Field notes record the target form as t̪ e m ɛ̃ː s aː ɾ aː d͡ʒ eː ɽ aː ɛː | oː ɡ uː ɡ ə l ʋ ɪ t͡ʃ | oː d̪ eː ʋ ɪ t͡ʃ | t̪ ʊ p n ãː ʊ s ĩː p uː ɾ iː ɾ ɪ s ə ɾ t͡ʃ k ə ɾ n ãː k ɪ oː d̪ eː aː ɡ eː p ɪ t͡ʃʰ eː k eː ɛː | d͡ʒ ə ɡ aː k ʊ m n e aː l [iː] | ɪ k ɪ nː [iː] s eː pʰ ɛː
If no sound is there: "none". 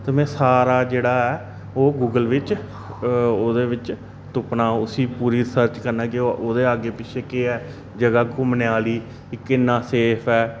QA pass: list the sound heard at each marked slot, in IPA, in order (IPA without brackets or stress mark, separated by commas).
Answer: iː, aː